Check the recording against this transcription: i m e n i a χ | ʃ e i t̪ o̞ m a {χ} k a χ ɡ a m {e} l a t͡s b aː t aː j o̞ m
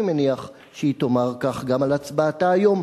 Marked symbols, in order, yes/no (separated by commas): no, no